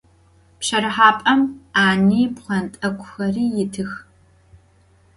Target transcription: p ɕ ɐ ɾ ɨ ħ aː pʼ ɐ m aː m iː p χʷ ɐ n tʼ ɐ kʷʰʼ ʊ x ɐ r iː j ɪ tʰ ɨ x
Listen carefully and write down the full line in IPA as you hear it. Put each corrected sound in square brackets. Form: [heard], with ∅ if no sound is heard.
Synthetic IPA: p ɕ ɐ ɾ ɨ ħ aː pʼ ɐ m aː [n] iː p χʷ ɐ n tʼ ɐ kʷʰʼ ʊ x ɐ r iː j ɪ tʰ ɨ x